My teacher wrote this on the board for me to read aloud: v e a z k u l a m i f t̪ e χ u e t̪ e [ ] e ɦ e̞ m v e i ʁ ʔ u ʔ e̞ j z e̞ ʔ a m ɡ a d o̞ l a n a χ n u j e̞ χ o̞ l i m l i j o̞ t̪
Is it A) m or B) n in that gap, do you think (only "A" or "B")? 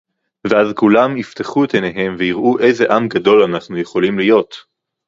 B